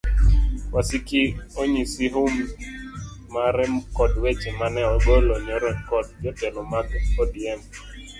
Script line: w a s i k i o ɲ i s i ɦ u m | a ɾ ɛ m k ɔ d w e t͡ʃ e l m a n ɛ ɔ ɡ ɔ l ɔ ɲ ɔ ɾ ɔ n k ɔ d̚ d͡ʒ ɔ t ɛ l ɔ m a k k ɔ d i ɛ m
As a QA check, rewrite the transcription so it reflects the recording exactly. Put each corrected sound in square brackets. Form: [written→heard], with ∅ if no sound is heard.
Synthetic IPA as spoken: w a s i k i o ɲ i s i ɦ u m | a ɾ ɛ m k ɔ d w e t͡ʃ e [l→∅] m a n ɛ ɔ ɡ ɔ l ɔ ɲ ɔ ɾ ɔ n k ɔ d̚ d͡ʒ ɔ t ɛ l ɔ m a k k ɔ d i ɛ m